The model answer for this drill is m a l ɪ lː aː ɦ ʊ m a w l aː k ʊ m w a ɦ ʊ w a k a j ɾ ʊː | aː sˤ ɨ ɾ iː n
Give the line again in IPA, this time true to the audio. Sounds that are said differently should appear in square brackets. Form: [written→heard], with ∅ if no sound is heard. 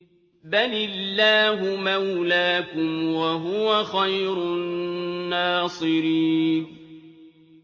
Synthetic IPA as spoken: [m→b] a l ɪ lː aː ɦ ʊ m a w l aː k ʊ m w a ɦ ʊ w a [k→x] a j ɾ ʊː | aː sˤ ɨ ɾ iː n